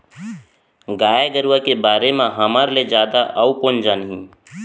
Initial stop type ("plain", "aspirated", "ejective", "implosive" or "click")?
plain